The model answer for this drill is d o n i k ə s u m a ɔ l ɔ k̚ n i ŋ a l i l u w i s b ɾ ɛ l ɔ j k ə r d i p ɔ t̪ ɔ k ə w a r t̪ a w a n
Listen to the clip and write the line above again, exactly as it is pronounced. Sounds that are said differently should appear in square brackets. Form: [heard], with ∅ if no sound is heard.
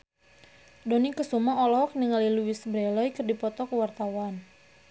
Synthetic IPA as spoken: d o n i k ə s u m a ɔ l ɔ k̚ n i ŋ a l i l u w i s b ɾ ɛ l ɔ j k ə r d i p ɔ t̪ ɔ k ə w a r t̪ a w a n

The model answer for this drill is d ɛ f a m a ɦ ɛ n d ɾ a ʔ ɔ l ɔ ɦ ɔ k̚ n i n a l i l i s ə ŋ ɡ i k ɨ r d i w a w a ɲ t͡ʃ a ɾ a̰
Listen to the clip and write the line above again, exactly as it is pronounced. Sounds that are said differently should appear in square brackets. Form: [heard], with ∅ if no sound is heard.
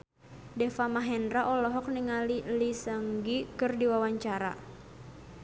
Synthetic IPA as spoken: d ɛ f a m a ɦ ɛ n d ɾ a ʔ ɔ l ɔ ɦ ɔ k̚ n i [ŋ] a l i l i s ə ŋ ɡ i k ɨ r d i w a w a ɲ t͡ʃ a ɾ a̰

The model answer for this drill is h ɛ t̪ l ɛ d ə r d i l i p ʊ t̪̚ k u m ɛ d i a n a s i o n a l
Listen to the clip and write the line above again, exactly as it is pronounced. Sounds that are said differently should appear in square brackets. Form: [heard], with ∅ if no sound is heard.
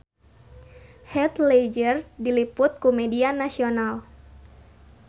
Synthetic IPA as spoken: h ɛ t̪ l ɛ [d͡ʒ] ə r d i l i p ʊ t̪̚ k u m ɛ d i a n a s i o n a l

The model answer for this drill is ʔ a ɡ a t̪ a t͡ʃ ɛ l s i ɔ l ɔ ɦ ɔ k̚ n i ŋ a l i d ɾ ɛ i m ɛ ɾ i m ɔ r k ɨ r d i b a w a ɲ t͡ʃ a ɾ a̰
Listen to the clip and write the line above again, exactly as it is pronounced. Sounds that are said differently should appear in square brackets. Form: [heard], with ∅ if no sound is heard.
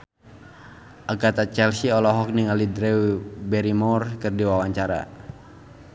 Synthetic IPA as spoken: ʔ a ɡ a t̪ a t͡ʃ ɛ l s i ɔ l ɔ ɦ ɔ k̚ n i ŋ a l i d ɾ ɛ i [b] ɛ ɾ i m ɔ r k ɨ r d i [w] a w a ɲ t͡ʃ a ɾ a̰

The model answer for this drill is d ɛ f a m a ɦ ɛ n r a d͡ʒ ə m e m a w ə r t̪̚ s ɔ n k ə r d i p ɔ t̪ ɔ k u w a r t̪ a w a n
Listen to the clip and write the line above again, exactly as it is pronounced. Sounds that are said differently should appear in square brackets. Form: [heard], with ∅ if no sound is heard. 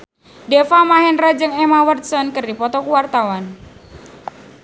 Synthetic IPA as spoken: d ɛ f a m a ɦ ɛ n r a d͡ʒ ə [ŋ] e m a w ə r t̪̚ s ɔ n k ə r d i p ɔ t̪ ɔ k u w a r t̪ a w a n

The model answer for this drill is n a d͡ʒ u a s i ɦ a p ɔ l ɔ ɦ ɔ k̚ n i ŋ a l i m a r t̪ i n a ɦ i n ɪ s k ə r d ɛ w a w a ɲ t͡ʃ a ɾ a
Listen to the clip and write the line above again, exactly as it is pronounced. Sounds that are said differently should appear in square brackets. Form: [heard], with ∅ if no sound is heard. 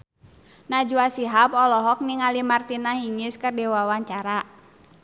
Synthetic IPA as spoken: n a d͡ʒ u a s i ɦ a p ɔ l ɔ ɦ ɔ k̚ n i ŋ a l i m a r t̪ i n a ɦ i [ŋ] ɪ s k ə r d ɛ w a w a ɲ t͡ʃ a ɾ a

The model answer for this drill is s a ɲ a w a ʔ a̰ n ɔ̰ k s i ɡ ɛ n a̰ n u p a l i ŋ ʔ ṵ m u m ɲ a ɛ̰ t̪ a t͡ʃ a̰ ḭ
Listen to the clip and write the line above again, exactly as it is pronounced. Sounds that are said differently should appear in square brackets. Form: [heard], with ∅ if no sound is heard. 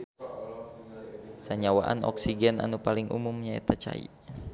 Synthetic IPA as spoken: s a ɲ a w a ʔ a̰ n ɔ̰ k s i ɡ ɛ n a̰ n u p a l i ŋ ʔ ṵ m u m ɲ a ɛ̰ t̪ a t͡ʃ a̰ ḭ

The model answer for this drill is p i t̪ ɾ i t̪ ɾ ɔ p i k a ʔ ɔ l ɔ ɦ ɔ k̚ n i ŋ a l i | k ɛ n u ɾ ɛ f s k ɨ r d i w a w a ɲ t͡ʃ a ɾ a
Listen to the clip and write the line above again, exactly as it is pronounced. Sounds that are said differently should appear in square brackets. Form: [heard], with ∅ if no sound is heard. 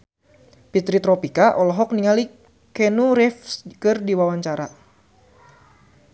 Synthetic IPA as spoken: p i t̪ ɾ i t̪ ɾ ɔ p i k a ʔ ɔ l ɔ ɦ ɔ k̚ n i ŋ a l i | k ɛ n u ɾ ɛ f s k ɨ r d i w a w a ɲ t͡ʃ a ɾ a

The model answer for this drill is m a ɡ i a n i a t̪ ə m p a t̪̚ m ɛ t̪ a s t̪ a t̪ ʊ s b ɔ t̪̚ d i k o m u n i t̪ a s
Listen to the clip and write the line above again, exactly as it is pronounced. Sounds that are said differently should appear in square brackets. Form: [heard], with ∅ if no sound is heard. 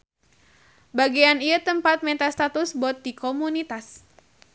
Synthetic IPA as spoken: [b] a ɡ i a n i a t̪ ə m p a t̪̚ m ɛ t̪ a s t̪ a t̪ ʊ s b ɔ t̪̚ d i k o m u n i t̪ a s

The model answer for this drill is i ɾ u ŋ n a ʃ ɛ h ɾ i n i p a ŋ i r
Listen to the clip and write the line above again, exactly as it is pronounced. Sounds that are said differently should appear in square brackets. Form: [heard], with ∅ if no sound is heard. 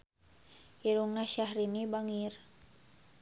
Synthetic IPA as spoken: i ɾ u ŋ n a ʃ [a] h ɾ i n i [b] a ŋ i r

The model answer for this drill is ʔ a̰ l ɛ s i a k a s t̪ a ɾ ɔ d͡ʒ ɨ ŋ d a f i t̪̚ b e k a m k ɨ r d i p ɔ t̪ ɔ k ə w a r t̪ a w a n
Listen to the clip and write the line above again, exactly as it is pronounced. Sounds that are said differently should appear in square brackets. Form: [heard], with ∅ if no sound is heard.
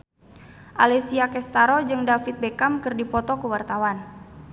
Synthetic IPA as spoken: ʔ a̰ l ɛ s i a k [ɛ] s t̪ a ɾ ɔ d͡ʒ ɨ ŋ d a f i t̪̚ b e k a m k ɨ r d i p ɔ t̪ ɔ k ə w a r t̪ a w a n

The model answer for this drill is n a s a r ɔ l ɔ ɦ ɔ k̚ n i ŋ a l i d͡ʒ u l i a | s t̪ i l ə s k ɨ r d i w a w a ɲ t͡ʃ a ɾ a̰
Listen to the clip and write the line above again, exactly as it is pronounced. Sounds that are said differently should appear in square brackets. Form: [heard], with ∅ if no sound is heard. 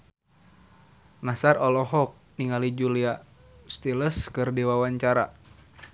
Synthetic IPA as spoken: n a s a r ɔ l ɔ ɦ ɔ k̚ n i ŋ a l i d͡ʒ u l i a | s t̪ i l ə s k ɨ r d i w a w a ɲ t͡ʃ a ɾ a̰

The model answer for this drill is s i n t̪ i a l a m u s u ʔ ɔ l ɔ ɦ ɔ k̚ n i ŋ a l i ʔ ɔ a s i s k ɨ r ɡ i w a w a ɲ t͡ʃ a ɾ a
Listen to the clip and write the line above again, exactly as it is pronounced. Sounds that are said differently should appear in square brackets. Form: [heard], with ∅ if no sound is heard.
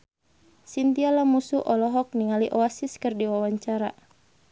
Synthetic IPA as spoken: s i n t̪ i a l a m u s u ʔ ɔ l ɔ ɦ ɔ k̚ n i ŋ a l i ʔ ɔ a s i s k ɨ r [d] i w a w a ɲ t͡ʃ a ɾ a

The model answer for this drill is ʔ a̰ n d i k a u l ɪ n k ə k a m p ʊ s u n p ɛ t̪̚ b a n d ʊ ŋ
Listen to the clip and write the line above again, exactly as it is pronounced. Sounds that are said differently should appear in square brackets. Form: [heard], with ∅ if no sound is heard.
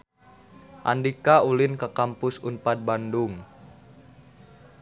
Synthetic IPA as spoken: ʔ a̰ n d i k a u l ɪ n k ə k a m p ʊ s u n p [a] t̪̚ b a n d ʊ ŋ

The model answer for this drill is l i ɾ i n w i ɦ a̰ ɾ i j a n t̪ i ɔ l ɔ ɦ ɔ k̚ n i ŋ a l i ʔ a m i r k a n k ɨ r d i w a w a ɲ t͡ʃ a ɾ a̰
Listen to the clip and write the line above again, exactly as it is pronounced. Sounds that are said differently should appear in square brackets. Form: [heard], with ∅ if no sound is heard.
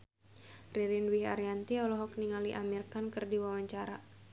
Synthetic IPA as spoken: [r] i ɾ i n w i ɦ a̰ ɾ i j a n t̪ i ɔ l ɔ ɦ ɔ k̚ n i ŋ a l i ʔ a m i r k a n k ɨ r d i w a w a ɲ t͡ʃ a ɾ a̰

